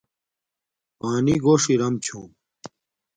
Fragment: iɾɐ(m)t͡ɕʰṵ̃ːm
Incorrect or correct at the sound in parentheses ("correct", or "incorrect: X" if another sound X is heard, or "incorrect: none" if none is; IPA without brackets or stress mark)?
correct